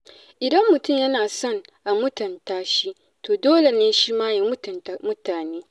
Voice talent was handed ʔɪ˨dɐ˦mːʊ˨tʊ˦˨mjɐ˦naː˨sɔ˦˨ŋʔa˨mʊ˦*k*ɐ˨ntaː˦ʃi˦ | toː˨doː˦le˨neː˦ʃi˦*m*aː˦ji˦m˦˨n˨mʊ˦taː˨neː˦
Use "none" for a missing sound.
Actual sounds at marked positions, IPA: t, m

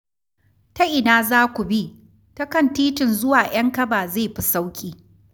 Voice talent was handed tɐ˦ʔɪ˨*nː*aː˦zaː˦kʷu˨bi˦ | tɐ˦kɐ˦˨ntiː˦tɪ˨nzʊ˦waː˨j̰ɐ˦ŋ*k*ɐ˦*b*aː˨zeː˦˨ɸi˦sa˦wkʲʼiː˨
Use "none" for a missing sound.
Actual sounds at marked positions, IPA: n, k, b

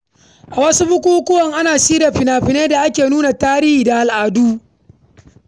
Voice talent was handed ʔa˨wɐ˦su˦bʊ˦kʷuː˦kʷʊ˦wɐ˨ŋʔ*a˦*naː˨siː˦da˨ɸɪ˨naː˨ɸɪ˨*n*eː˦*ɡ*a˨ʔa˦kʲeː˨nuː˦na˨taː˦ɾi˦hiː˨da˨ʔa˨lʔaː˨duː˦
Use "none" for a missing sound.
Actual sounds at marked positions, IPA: a˦, n, d

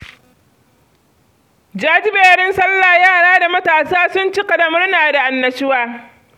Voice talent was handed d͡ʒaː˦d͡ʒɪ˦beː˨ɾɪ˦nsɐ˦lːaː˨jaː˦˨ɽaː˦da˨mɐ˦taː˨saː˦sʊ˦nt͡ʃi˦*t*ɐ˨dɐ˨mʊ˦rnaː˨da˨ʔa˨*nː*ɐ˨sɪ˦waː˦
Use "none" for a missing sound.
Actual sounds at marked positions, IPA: k, nː

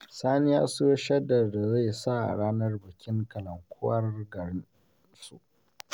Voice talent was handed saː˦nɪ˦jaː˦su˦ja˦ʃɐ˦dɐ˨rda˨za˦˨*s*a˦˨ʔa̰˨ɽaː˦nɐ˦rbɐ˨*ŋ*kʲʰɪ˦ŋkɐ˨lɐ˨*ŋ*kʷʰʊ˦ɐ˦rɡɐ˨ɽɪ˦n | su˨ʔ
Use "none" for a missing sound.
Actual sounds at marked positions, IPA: s, none, ŋ

